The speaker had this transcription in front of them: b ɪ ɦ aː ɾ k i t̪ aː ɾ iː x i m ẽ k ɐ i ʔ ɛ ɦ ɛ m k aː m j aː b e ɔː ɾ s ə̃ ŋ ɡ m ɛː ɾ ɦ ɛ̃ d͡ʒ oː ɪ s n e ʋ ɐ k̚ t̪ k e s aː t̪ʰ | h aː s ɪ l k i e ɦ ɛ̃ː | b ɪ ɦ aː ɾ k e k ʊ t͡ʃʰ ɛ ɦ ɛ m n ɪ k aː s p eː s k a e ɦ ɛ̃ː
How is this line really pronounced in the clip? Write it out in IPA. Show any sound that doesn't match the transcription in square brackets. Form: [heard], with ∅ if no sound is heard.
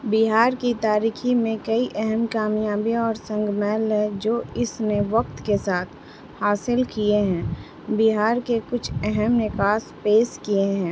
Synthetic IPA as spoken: b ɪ ɦ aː ɾ k i t̪ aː ɾ iː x i m ẽ k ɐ i ʔ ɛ ɦ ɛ m k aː m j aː b [i] ɔː ɾ s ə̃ ŋ ɡ m ɛː [l] ɦ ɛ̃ d͡ʒ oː ɪ s n e ʋ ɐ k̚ t̪ k e s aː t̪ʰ | h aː s ɪ l k i e ɦ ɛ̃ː | b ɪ ɦ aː ɾ k e k ʊ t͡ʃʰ ɛ ɦ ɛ m n ɪ k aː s p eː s k [i] e ɦ ɛ̃ː